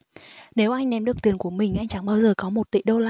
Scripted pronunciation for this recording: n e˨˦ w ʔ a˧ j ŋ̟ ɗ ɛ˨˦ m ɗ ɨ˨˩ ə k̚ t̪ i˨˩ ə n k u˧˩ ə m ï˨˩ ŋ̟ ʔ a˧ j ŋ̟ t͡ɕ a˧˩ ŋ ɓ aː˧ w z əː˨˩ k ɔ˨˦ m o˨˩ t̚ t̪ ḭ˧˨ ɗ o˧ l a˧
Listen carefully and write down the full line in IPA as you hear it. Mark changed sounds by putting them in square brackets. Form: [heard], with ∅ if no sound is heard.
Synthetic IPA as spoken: n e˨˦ w ʔ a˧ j ŋ̟ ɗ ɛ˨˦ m ɗ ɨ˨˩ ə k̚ t̪ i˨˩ ə n k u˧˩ ə m ï˨˩ ŋ̟ ʔ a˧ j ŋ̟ t͡ɕ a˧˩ ŋ ɓ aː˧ w z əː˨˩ k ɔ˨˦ m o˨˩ t̚ t̪ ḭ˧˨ ɗ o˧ l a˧

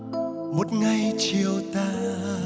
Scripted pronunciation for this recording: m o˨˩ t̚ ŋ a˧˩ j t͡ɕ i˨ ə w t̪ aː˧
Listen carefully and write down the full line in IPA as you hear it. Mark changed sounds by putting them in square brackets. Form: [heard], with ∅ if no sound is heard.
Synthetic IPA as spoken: m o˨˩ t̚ ŋ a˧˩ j t͡ɕ i˨ ə w t̪ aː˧

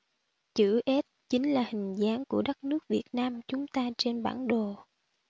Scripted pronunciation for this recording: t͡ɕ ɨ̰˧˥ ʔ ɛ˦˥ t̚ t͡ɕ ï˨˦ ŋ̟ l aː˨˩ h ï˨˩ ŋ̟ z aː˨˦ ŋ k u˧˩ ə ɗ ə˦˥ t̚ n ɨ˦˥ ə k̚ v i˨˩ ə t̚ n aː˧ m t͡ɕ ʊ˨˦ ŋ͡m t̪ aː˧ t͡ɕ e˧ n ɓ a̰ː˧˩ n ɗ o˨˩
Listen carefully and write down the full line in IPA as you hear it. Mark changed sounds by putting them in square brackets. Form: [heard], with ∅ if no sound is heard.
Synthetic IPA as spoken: t͡ɕ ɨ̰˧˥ ʔ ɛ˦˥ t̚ t͡ɕ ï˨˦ ŋ̟ l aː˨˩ h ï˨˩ ŋ̟ z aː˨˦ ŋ k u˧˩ ə ɗ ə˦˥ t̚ n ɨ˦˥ ə k̚ v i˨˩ ə t̚ n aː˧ m t͡ɕ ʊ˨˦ ŋ͡m t̪ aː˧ t͡ɕ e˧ n ɓ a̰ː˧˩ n ɗ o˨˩

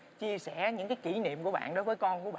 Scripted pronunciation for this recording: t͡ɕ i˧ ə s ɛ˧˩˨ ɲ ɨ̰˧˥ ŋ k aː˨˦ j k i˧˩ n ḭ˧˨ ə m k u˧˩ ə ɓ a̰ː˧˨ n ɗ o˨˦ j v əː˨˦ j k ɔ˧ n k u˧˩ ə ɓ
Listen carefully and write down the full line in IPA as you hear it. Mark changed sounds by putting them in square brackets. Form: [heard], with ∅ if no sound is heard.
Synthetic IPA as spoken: t͡ɕ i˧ ə s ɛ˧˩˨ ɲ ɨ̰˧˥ ŋ k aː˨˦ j k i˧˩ n ḭ˧˨ ə m k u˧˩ ə ɓ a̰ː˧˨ n ɗ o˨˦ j v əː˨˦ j k ɔ˧ n k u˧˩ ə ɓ

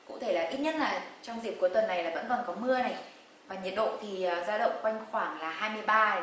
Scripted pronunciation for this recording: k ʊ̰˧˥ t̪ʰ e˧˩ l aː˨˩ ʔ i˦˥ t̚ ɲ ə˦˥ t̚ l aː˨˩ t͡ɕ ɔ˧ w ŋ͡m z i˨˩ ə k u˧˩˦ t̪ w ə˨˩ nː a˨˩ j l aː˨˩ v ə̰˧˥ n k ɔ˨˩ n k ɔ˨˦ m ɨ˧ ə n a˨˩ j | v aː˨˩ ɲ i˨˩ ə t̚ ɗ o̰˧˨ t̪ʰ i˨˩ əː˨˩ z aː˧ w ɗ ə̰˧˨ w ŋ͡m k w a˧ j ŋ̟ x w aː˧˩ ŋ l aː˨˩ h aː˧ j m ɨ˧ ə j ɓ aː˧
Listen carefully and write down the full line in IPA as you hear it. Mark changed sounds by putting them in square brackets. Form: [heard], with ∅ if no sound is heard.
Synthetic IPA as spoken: k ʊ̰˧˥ t̪ʰ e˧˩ l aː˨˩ ʔ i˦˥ t̚ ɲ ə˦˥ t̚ l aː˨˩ t͡ɕ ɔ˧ w ŋ͡m z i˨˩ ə k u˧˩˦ t̪ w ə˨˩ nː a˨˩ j l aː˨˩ v ə̰˧˥ n k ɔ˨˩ n k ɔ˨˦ m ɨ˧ ə n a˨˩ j | v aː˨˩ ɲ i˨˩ ə t̚ ɗ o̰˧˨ t̪ʰ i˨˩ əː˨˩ z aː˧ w ɗ ə̰˧˨ w ŋ͡m k w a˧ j ŋ̟ x w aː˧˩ ŋ l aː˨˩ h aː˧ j m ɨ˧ ə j ɓ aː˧

